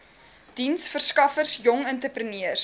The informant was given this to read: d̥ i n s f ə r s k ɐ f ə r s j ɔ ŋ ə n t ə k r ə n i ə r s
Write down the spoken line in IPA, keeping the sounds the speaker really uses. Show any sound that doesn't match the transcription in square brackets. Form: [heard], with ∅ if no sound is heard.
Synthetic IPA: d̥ i n s f ə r s k ɐ f ə r s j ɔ ŋ ə n t ə [p] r ə n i ə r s